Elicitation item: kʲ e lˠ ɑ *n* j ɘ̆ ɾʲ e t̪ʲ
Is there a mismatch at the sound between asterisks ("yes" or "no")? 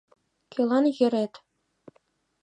no